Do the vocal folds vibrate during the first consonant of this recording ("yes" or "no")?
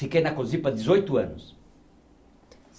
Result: no